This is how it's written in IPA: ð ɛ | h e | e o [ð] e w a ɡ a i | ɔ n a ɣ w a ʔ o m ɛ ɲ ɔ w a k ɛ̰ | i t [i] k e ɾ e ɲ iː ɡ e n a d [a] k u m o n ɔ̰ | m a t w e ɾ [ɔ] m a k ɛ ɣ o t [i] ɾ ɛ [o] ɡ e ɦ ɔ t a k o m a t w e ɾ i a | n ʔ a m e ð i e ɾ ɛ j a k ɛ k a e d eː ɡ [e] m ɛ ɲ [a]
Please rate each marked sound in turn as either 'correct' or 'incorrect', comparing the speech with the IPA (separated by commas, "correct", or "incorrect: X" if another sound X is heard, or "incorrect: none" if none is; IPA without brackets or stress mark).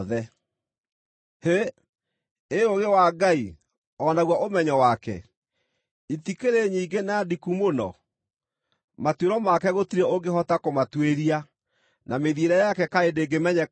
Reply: incorrect: ɣ, correct, incorrect: i, correct, correct, correct, correct, incorrect: ɛ